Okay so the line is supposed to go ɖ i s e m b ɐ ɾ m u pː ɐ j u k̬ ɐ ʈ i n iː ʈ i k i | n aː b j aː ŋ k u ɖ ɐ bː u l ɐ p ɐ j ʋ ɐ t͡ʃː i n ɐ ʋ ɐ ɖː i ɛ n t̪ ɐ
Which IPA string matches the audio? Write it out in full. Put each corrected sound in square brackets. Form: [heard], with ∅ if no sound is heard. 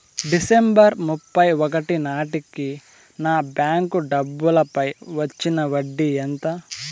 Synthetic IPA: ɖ i s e m b ɐ ɾ m u pː ɐ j [ɔ] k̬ ɐ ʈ i n [aː] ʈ i k i | n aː b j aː ŋ k u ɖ ɐ bː u l ɐ p ɐ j ʋ ɐ t͡ʃː i n ɐ ʋ ɐ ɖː i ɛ n t̪ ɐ